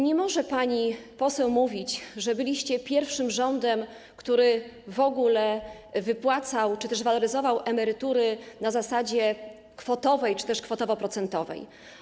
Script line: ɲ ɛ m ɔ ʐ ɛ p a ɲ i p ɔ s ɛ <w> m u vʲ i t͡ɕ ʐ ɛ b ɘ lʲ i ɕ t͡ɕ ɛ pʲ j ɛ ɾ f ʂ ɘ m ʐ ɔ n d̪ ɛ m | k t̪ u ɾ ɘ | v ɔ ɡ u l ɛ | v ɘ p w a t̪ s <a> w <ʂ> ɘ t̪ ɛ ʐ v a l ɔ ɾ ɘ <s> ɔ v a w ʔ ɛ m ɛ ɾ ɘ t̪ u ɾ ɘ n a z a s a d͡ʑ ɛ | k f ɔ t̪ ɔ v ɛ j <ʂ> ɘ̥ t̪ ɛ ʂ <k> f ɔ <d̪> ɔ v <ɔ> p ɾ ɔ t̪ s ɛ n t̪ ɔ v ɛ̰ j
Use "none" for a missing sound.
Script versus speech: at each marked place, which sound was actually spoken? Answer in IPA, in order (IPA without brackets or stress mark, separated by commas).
w, a, t͡ʂ, z, t͡ʂ, k, t̪, ɔ